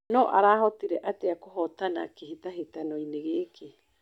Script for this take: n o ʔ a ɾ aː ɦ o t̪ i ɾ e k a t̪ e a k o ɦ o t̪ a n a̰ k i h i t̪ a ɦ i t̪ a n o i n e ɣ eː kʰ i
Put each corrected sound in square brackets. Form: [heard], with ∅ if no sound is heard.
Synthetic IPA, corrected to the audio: n o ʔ a ɾ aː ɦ o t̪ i ɾ e [ʔ] a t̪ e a k o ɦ o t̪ a n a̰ k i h i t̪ a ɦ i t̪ a n o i n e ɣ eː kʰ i